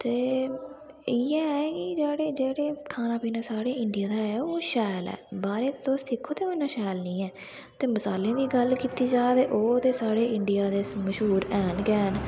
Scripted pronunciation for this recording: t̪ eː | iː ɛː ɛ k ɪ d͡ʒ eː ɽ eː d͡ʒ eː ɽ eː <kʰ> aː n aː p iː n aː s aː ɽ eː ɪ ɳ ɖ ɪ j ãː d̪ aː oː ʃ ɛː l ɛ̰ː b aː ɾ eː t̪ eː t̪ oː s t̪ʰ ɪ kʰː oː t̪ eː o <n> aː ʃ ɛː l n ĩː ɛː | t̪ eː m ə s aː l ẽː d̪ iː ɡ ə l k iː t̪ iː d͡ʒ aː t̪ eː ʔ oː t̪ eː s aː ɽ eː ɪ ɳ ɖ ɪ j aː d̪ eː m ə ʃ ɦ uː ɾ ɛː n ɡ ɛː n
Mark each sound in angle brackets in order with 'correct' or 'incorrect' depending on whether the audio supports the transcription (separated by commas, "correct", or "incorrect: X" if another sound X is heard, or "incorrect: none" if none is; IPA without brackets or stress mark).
correct, correct